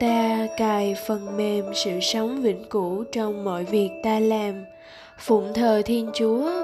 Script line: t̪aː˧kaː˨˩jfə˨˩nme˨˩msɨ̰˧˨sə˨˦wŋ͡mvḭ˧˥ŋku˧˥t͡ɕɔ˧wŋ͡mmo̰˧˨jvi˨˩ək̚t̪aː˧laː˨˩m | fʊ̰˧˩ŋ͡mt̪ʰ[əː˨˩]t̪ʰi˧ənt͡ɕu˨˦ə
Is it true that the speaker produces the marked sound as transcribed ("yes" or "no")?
yes